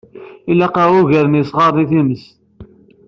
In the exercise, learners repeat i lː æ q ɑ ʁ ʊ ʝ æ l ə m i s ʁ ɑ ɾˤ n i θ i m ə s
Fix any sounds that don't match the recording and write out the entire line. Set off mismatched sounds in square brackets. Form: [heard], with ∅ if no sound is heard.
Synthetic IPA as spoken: i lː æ q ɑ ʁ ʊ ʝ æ [ɾ] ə [n] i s ʁ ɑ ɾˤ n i θ i m ə s